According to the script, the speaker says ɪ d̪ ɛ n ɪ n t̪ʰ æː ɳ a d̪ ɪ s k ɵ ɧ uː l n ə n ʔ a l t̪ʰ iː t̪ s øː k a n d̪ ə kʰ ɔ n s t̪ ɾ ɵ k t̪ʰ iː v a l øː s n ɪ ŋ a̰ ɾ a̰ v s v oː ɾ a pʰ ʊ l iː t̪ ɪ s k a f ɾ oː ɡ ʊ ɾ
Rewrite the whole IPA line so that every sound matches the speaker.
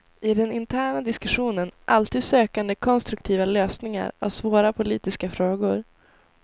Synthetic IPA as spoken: ɪ d̪ ɛ n ɪ n t̪ʰ æː ɳ a d̪ ɪ s k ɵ ɧ uː n ə n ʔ a l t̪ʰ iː d̪ s øː k a n d̪ ə kʰ ɔ n s t̪ ɾ ɵ k t̪ʰ iː v a l øː s n ɪ ŋ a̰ ɾ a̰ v s v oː ɾ a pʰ ʊ l iː t̪ ɪ s k a f ɾ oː ɡ ʊ ɾ